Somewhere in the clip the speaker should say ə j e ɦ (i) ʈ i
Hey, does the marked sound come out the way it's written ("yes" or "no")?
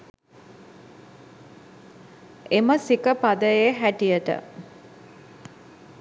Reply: no